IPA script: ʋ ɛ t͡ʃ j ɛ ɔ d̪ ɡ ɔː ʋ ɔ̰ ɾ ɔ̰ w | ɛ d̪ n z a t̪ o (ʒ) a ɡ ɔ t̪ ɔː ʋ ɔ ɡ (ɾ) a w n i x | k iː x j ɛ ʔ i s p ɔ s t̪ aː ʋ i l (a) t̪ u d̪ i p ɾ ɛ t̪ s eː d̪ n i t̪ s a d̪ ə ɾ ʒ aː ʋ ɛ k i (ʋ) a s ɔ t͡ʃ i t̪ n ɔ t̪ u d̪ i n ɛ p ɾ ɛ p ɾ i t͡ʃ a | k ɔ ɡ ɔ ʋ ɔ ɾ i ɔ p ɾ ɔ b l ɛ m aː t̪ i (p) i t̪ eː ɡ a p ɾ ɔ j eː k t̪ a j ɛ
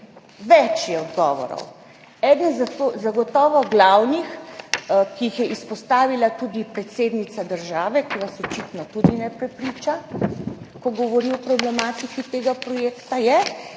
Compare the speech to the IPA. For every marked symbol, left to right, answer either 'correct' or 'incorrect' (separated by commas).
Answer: incorrect, incorrect, correct, correct, incorrect